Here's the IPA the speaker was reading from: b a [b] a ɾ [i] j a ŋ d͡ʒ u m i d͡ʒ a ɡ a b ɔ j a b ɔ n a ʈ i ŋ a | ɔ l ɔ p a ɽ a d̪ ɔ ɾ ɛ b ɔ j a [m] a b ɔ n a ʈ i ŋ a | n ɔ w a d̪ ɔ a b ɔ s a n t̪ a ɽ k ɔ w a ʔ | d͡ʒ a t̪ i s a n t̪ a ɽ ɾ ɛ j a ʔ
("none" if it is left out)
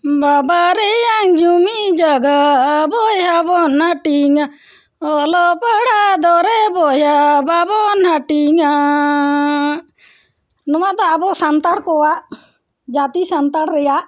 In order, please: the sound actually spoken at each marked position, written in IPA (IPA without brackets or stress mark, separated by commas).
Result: b, ɛ, b